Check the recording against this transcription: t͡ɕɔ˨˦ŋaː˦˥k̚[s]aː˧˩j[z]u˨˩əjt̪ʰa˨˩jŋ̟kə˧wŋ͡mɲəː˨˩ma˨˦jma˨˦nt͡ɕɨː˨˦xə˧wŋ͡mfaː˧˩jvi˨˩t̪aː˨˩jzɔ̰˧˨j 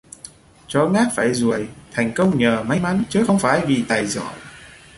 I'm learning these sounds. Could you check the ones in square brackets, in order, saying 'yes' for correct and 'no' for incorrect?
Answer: no, yes

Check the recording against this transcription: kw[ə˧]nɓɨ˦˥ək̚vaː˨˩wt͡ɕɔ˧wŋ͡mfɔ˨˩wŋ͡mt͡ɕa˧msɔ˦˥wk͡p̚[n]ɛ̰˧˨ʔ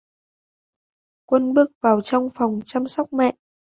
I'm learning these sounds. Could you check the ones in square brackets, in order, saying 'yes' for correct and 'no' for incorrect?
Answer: yes, no

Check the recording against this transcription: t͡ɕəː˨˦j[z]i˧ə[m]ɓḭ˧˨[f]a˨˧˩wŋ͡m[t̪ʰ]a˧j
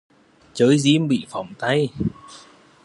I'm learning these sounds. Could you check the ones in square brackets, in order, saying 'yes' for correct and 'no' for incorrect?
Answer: yes, yes, yes, no

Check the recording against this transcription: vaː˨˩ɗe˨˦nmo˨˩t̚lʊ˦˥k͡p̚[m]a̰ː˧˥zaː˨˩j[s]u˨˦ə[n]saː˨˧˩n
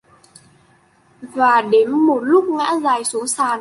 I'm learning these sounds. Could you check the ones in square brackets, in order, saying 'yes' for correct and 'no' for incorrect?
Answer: no, yes, no

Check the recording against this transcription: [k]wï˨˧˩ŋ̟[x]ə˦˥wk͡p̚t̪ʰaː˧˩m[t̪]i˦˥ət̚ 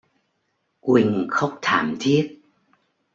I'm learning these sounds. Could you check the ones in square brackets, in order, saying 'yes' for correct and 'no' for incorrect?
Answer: yes, yes, no

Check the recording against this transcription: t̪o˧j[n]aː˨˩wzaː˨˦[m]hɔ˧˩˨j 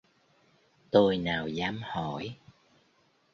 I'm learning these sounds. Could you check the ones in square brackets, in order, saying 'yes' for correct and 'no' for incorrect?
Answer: yes, yes

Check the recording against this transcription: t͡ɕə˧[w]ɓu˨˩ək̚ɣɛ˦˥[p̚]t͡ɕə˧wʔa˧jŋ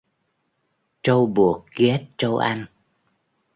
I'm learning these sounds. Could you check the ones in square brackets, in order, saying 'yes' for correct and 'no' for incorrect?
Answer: yes, no

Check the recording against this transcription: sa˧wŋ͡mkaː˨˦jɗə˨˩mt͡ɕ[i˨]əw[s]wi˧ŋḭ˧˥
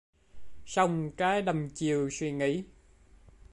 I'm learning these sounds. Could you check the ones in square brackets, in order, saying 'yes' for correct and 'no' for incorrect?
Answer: yes, yes

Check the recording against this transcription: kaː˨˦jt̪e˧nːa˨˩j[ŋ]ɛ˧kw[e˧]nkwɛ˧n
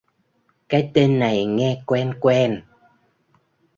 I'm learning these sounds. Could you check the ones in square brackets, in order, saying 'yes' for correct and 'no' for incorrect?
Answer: yes, no

